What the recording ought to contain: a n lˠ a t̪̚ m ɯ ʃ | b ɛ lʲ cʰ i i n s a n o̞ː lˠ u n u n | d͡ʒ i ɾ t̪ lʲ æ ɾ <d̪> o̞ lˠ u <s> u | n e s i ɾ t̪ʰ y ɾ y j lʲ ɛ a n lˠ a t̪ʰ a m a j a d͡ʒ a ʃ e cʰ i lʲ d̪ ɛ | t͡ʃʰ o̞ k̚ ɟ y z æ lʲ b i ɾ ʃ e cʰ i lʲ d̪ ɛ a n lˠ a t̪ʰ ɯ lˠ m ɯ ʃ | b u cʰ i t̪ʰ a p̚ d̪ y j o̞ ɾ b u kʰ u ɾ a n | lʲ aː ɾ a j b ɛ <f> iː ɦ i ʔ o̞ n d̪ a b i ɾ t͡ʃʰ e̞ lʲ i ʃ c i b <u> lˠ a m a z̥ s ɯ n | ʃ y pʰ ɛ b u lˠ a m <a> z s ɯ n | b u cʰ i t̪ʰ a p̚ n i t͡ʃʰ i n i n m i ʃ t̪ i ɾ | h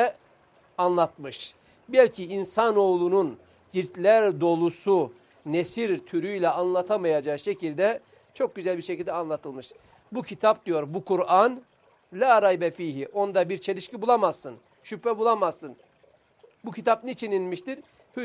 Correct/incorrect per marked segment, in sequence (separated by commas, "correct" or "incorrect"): correct, correct, correct, correct, correct